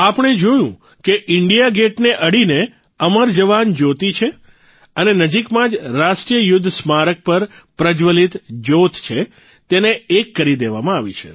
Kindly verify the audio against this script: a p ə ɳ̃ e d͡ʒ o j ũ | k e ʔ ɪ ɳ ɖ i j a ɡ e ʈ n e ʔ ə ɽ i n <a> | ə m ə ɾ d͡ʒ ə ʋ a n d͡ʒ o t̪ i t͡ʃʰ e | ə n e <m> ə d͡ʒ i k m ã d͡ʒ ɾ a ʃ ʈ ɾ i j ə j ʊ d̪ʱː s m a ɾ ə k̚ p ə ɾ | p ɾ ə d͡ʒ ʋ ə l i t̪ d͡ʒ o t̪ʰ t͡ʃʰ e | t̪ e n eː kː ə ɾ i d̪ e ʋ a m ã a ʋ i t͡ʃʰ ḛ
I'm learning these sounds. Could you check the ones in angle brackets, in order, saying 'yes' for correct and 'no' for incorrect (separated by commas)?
no, no